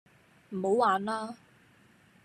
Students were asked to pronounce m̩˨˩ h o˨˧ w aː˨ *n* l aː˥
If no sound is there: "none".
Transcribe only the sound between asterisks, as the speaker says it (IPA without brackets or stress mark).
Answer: n